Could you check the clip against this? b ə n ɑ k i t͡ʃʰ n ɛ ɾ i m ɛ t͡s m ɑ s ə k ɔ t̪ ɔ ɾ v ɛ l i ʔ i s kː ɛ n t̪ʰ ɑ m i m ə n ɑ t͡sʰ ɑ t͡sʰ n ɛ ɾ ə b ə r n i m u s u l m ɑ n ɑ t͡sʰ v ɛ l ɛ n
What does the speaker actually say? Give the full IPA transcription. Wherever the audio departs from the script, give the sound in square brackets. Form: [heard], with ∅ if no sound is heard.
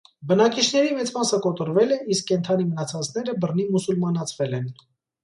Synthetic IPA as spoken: b ə n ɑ k i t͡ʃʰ n ɛ ɾ i m ɛ t͡s m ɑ s ə k ɔ t̪ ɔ ɾ v ɛ l [ɛ] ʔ i s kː ɛ n t̪ʰ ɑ [n] i m ə n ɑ t͡sʰ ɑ t͡sʰ n ɛ ɾ ə b ə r n i m u s u l m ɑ n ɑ t͡sʰ v ɛ l ɛ n